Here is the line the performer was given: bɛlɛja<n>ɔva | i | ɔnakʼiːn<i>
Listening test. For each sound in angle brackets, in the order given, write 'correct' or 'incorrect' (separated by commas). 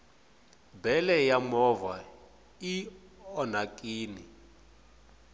incorrect, correct